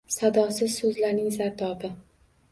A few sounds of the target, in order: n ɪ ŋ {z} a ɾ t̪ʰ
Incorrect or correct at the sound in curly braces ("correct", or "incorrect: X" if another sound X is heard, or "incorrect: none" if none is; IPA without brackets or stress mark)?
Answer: correct